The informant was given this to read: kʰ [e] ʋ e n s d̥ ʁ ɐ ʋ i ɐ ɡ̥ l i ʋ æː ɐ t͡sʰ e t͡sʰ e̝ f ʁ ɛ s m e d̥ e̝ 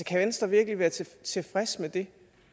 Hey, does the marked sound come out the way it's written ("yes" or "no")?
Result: no